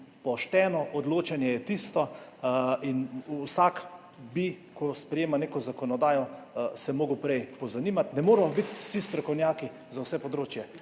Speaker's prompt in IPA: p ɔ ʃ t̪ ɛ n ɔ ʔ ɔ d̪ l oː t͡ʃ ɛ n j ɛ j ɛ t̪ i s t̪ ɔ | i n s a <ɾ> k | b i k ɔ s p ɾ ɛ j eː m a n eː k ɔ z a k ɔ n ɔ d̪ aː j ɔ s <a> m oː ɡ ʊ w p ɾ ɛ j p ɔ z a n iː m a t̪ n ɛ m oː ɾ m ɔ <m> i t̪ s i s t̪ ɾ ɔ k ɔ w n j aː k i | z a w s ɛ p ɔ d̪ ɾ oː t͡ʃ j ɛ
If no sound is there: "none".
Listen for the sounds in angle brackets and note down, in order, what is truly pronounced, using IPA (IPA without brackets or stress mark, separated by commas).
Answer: none, ɛ, b